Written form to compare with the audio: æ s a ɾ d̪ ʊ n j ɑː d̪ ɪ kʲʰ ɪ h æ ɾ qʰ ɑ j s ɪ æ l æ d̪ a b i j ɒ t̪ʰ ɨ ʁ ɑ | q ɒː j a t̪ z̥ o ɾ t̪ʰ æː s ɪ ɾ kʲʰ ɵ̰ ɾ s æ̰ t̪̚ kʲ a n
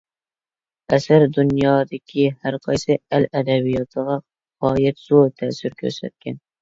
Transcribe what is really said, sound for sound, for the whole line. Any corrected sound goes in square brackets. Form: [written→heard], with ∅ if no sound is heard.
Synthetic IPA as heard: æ s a ɾ d̪ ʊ n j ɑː d̪ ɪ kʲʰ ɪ h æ ɾ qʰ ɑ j s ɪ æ l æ d̪ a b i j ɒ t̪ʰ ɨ ʁ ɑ | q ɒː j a t̪ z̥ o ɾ t̪ʰ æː s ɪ ɾ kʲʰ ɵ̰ ɾ s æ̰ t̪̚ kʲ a n